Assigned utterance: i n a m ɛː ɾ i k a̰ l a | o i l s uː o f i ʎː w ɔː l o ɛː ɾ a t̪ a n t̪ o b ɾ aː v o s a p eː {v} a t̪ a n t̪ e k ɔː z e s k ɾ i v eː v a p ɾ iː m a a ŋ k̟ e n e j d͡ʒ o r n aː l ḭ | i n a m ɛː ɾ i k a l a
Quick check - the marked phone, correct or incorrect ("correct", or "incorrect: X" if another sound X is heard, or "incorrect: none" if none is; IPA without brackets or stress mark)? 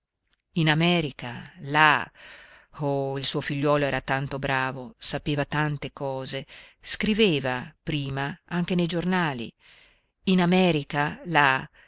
correct